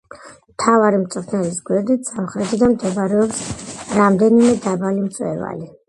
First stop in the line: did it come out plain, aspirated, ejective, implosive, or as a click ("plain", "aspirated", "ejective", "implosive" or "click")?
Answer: aspirated